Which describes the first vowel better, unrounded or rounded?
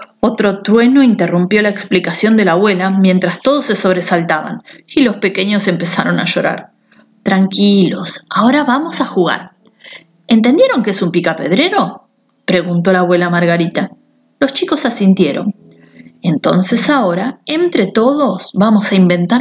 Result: rounded